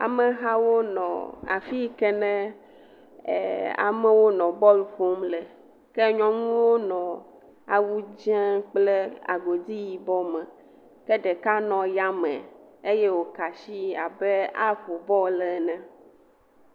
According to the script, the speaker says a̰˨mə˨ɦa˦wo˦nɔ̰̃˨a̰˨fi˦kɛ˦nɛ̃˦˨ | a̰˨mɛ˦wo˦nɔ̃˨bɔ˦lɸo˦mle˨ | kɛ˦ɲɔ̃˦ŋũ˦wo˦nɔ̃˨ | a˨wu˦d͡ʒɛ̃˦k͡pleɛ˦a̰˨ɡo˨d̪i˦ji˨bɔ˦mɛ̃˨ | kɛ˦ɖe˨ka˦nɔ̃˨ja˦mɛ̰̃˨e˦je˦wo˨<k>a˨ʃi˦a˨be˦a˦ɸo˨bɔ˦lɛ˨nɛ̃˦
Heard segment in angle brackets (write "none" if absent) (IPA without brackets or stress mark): k